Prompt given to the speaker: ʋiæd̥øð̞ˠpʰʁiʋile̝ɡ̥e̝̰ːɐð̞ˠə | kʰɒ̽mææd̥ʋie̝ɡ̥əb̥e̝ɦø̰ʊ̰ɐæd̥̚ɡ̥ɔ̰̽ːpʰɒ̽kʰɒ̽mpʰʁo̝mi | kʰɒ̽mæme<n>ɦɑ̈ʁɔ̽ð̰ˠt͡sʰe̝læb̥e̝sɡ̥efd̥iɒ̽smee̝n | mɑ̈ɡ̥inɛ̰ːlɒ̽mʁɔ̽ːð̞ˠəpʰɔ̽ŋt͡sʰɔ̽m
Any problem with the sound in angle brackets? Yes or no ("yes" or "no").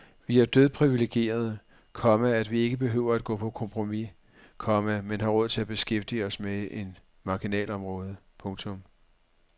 no